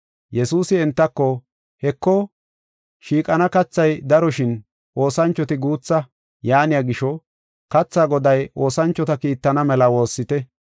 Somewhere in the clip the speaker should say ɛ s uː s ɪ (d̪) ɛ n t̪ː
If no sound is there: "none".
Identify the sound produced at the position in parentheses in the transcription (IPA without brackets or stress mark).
none